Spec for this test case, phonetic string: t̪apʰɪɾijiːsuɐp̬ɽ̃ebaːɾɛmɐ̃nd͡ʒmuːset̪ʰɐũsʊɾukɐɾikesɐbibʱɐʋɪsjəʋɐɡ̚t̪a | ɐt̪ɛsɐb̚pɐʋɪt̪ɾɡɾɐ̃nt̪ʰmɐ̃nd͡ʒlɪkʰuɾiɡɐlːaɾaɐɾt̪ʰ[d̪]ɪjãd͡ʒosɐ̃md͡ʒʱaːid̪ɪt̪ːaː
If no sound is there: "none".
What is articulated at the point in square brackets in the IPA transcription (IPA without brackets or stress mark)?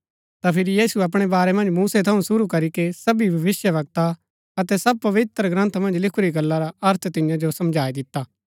t̪